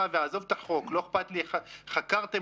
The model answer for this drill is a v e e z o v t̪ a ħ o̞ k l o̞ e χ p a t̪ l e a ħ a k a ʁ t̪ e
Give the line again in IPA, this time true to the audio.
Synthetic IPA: a v e a z o v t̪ a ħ o̞ k l o̞ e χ p a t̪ l i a χ a k a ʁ t̪ e

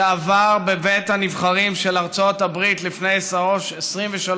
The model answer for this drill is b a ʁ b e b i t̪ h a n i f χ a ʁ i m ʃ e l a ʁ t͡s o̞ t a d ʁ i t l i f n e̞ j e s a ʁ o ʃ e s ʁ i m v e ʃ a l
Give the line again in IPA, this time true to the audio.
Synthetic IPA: v a ʁ b e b e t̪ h a n i v χ a ʁ i m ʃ e l a ʁ t͡s o̞ t a b ʁ i t l i f n e̞ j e s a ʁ o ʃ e s ʁ i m v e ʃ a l

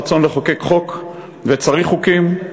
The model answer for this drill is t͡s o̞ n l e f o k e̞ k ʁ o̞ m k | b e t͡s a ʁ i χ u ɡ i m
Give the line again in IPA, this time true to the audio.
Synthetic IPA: t͡s o̞ n l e χ o k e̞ k χ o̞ k | v e t͡s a ʁ i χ u k i m

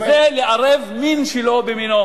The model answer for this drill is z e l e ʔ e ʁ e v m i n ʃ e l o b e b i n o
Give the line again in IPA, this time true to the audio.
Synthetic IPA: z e l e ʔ a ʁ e v m i n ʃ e l o b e m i n o

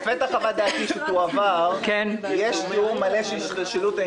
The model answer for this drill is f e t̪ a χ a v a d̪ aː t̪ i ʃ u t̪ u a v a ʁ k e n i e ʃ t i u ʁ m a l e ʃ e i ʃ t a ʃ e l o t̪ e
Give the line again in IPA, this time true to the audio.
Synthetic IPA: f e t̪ a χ a v a d̪ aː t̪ i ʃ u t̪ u a v a ʁ k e n j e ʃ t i u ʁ m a l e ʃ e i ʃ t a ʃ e l u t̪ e

